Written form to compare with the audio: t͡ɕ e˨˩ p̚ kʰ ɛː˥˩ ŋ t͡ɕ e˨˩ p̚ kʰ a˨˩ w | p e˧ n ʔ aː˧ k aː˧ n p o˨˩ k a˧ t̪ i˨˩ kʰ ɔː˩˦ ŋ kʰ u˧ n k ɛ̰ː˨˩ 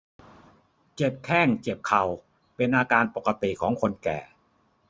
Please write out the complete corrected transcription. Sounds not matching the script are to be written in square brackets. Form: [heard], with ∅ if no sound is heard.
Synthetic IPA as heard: t͡ɕ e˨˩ p̚ kʰ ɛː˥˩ ŋ t͡ɕ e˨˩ p̚ kʰ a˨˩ w | p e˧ n ʔ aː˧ k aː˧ n p o˨˩ k a˧ t̪ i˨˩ kʰ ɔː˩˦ ŋ kʰ [o˧] n k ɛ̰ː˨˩